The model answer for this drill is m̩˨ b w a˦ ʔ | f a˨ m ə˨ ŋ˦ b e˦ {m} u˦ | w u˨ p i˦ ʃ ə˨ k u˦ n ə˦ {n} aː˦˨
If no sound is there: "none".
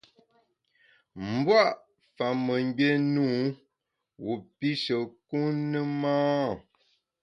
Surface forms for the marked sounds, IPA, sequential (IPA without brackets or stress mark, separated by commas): n, m